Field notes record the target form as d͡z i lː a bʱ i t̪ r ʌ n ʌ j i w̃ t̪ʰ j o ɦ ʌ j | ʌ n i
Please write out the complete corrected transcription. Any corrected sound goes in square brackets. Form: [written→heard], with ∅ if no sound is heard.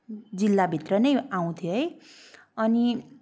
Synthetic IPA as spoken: d͡z i lː a bʱ i t̪ r ʌ n ʌ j [i→a] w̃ t̪ʰ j o ɦ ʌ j | ʌ n i